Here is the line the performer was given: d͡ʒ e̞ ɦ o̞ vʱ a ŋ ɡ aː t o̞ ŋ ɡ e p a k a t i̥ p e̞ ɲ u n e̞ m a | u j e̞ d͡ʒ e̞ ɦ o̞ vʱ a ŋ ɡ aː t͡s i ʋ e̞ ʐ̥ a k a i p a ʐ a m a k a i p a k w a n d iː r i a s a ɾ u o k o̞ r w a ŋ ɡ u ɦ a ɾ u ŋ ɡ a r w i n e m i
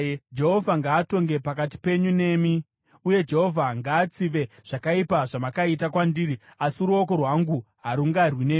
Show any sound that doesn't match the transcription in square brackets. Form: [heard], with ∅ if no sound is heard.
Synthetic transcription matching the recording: d͡ʒ e̞ ɦ o̞ vʱ a ŋ ɡ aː t o̞ ŋ ɡ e p a k a t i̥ p e̞ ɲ u n e̞ m [i] | u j e̞ d͡ʒ e̞ ɦ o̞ vʱ a ŋ ɡ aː t͡s i ʋ e̞ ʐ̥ a k a i p a ʐ a m a k a i [t] a k w a n d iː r i a s [i] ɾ u o k o̞ r w a ŋ ɡ u ɦ a ɾ u ŋ ɡ a r w i n e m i